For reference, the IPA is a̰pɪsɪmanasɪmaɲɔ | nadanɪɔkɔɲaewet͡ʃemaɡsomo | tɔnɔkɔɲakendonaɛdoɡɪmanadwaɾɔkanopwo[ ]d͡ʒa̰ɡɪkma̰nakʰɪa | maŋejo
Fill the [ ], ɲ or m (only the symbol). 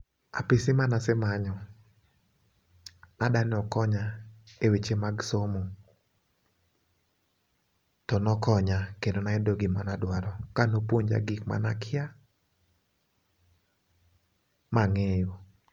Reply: ɲ